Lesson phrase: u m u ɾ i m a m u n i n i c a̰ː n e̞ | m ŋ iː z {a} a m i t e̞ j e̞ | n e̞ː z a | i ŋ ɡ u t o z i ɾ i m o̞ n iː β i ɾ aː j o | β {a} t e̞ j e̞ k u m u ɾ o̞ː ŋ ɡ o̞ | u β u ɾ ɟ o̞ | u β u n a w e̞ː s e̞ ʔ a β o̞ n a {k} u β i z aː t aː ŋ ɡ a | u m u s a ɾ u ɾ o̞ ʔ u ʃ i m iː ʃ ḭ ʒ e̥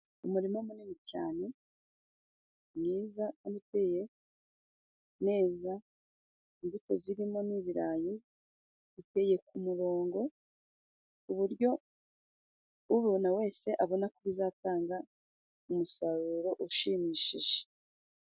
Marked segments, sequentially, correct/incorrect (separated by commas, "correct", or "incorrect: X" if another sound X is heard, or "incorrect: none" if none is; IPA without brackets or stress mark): correct, incorrect: i, correct